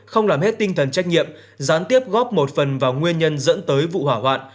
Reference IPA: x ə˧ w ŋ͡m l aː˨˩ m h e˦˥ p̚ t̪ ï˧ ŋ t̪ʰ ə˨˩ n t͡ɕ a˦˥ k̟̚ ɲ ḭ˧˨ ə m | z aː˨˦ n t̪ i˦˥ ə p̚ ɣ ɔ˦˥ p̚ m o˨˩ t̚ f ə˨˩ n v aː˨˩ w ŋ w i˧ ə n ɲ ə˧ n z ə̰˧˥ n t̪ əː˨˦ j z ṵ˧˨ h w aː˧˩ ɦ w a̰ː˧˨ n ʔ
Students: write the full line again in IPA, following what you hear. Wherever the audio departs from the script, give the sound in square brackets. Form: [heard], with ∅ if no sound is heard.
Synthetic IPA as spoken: x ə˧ w ŋ͡m l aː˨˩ m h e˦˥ [t̚] t̪ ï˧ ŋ t̪ʰ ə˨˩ n t͡ɕ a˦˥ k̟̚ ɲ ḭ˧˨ ə m | z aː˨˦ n t̪ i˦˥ ə p̚ ɣ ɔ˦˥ p̚ m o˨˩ t̚ f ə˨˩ n v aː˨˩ w ŋ w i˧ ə n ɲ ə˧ n z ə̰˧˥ n t̪ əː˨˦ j [v] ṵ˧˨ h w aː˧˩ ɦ w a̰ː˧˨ n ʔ